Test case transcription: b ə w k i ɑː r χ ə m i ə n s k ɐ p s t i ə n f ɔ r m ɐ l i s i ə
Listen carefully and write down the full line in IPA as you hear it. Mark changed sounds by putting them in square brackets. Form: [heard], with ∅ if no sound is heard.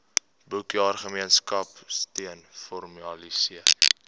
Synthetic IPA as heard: b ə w k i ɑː r χ ə m i ə n s k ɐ p s t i ə n f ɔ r m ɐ l i s i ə